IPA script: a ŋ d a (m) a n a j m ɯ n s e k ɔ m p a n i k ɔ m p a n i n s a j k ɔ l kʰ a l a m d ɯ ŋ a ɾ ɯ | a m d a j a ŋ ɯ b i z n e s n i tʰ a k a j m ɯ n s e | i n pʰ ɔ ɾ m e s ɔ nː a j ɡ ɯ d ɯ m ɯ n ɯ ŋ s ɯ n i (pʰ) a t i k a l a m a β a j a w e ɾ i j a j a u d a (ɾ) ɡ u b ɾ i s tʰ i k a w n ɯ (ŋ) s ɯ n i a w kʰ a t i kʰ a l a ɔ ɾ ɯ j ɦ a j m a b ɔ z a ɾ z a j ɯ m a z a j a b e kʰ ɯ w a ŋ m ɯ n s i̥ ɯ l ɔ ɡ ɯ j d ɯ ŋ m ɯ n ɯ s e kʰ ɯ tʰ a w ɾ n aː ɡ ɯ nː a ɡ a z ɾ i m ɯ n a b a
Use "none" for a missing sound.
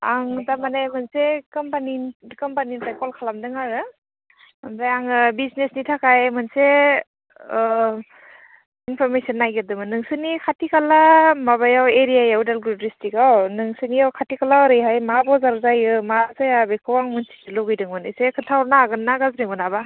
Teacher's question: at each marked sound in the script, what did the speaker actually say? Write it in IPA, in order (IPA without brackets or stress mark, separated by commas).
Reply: m, kʰ, l, ŋ